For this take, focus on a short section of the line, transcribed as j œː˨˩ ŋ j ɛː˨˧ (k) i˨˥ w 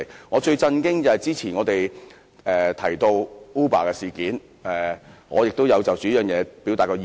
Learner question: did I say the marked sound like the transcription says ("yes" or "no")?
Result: no